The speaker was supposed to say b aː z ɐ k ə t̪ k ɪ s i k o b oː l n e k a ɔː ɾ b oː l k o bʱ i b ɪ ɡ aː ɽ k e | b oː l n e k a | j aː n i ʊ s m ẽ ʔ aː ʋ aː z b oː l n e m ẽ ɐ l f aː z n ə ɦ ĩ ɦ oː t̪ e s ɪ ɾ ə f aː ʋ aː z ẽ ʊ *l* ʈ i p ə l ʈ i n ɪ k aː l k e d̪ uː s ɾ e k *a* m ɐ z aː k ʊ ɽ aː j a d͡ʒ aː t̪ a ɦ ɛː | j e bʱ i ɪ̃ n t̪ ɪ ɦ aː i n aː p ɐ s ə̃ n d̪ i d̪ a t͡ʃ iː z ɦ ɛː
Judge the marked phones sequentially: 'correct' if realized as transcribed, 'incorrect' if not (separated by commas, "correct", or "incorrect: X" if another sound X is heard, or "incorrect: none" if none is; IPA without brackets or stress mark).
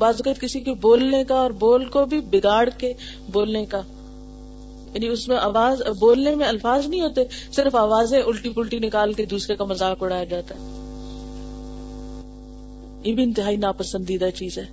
correct, correct